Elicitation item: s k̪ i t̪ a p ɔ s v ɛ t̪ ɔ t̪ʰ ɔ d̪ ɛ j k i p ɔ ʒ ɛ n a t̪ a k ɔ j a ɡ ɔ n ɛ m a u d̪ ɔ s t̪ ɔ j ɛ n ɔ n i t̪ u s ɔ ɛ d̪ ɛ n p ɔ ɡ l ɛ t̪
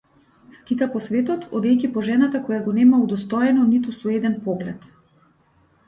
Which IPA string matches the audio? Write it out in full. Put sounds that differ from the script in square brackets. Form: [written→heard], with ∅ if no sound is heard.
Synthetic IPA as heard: s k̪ i t̪ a p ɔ s v ɛ t̪ ɔ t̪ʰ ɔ d̪ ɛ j [k→c] i p ɔ ʒ ɛ n a t̪ a k ɔ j a ɡ ɔ n ɛ m a u d̪ ɔ s t̪ ɔ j ɛ n ɔ n i t̪ u s ɔ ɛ d̪ ɛ n p ɔ ɡ l ɛ t̪